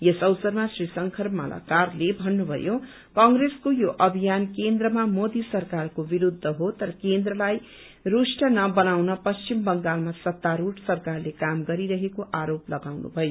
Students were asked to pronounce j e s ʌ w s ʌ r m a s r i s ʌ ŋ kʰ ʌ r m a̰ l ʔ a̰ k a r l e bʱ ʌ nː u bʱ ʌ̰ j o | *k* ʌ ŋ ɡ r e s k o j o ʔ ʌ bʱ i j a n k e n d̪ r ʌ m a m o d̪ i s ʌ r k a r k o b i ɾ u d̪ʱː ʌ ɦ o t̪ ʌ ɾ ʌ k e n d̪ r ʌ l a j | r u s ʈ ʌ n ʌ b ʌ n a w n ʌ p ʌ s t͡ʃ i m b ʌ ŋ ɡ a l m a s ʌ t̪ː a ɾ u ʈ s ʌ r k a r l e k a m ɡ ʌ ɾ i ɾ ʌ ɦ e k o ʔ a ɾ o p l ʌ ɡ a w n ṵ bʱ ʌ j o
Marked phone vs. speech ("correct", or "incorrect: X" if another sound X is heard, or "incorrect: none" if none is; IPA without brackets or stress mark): correct